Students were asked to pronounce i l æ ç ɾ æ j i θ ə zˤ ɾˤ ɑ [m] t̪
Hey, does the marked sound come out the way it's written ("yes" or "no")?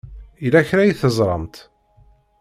yes